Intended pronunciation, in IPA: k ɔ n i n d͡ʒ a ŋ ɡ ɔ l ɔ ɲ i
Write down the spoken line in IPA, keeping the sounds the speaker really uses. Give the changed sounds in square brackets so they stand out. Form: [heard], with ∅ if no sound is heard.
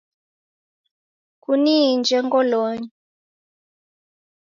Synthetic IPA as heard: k [u] n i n d͡ʒ [ɛ] ŋ ɡ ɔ l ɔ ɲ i